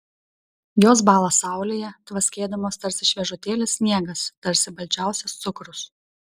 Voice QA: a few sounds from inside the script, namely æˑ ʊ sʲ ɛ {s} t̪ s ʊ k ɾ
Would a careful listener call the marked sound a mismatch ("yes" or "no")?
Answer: no